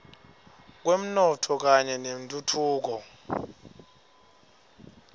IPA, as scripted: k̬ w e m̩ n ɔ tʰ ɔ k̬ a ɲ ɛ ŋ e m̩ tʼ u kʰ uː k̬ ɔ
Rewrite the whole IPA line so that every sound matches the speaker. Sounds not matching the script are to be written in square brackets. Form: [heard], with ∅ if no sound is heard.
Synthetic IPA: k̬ w e m̩ n ɔ tʰ ɔ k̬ a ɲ ɛ [n] e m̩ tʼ u [tʰ] uː k̬ ɔ